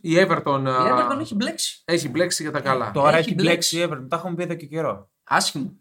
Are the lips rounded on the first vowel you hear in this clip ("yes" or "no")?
no